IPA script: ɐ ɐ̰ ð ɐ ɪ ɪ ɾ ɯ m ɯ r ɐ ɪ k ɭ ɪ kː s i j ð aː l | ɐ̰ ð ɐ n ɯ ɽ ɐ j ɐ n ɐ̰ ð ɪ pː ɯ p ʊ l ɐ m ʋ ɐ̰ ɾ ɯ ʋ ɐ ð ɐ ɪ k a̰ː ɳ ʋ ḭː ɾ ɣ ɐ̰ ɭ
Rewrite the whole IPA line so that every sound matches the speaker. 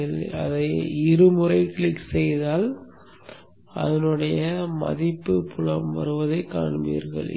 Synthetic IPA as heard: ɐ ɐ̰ ð ɐ ɪ ɪ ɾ ɯ m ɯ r ɐ ɪ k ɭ ɪ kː s ɛ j ð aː l | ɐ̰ ð ɐ n ɯ ɽ ɐ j ɐ m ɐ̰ ð ɪ pː ɯ p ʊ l ɐ m ʋ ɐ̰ ɾ ɯ ʋ ɐ ð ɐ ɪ k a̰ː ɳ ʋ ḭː ɾ ɣ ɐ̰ ɭ